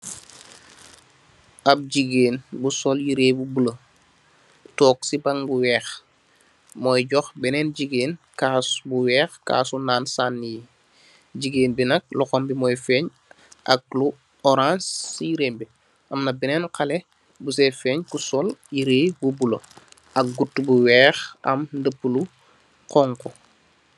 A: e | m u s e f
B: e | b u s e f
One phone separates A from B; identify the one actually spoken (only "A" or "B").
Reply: B